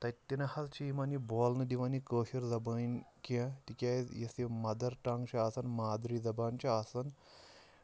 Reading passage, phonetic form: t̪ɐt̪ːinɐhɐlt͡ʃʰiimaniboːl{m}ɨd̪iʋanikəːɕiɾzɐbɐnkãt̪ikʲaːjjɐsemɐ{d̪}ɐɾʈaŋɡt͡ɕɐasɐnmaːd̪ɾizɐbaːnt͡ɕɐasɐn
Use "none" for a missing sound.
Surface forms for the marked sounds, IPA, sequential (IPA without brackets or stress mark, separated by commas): n, d̪